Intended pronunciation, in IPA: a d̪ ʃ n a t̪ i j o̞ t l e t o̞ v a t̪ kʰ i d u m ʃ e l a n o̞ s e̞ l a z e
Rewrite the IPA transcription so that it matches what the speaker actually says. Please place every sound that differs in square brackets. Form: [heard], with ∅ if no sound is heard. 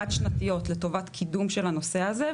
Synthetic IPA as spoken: a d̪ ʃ n a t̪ i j o̞ t l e t o̞ v a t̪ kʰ i d u m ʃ e l a n o̞ s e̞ [∅] a z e